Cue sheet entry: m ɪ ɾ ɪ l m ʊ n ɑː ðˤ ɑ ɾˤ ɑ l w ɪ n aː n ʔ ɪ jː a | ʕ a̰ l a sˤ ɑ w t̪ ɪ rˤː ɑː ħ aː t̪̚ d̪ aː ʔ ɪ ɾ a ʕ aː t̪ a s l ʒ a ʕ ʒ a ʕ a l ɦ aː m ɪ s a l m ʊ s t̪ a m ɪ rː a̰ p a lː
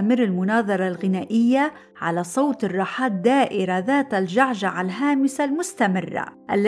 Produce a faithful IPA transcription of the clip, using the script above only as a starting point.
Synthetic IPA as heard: m ɪ ɾ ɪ l m ʊ n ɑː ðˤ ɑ ɾˤ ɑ l ɣ ɪ n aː ʔ ɪ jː a | ʕ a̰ l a sˤ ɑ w t̪ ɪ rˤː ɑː ħ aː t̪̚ d̪ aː ʔ ɪ ɾ a ð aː t̪ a l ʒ a ʕ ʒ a ʕ a l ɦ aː m ɪ s a l m ʊ s t̪ a m ɪ rː a̰ ʔ a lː